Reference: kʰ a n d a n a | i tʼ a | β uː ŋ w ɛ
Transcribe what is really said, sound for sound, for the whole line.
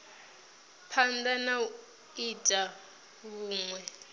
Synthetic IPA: pʰ a n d a n a | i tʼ a | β uː ŋ w ɛ